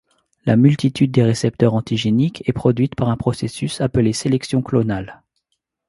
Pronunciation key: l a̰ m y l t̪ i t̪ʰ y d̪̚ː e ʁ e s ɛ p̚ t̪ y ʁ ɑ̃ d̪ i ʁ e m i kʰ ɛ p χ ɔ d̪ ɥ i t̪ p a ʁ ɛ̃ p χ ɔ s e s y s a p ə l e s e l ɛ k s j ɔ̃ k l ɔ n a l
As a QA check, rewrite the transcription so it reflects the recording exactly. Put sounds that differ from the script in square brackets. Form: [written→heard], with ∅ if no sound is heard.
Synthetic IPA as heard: l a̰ m y l t̪ i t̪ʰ y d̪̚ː e ʁ e s ɛ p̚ t̪ [y→œ] ʁ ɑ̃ [d̪→t̪] i [ʁ→ʒ] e [m→n] i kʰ ɛ p χ ɔ d̪ ɥ i t̪ p a ʁ ɛ̃ p χ ɔ s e s y s a p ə l e s e l ɛ k s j ɔ̃ k l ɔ n a l

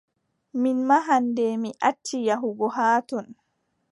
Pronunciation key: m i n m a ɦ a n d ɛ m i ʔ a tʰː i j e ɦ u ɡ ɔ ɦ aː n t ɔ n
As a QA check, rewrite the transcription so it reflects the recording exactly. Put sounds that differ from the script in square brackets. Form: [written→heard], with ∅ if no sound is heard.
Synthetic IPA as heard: m i n m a ɦ a n d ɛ m i ʔ a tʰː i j [e→a] ɦ u ɡ ɔ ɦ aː [n→∅] t ɔ n

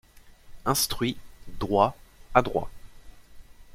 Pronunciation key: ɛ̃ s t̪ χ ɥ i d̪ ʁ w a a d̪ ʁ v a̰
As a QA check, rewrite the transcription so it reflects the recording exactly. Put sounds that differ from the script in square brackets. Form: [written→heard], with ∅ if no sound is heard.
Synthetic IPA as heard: ɛ̃ s t̪ χ ɥ i d̪ ʁ w a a d̪ ʁ [v→w] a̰

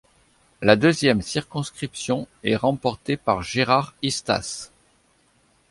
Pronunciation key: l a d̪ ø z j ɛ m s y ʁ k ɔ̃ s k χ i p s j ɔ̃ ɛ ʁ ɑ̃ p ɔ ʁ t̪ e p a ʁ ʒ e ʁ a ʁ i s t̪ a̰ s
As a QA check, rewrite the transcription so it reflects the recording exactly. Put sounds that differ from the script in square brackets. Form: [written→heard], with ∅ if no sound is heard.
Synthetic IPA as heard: l a d̪ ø z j ɛ m s [y→i] ʁ k ɔ̃ s k χ i p s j ɔ̃ ɛ ʁ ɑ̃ p ɔ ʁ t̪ e p a ʁ ʒ e ʁ a ʁ i s t̪ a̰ s

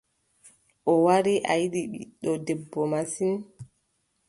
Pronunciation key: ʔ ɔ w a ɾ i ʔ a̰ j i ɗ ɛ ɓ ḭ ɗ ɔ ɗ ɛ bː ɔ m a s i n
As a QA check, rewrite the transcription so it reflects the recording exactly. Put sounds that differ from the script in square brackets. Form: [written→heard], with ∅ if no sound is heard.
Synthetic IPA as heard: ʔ ɔ w a ɾ i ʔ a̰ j i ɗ [ɛ→i] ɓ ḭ ɗ ɔ [ɗ→d] ɛ bː ɔ m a s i n

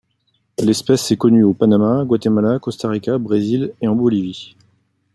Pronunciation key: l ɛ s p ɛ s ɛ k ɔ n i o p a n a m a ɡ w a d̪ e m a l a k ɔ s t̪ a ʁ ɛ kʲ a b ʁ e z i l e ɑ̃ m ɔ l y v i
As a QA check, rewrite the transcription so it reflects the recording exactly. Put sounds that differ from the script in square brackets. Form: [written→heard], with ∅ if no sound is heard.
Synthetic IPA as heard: l ɛ s p ɛ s ɛ k ɔ n [i→y] o p a n a m a ɡ w a [d̪→t̪] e m a l a k ɔ s t̪ a ʁ [ɛ→i] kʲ a b ʁ e z i l e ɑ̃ [m→b] ɔ l [y→i] v i

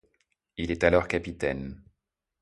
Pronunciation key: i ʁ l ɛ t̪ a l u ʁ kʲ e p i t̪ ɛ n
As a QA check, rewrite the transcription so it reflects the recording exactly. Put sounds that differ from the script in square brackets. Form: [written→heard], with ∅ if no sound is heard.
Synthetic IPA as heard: i [ʁ→∅] l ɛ t̪ a l [u→ɔ] ʁ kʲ [e→a] p i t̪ ɛ n

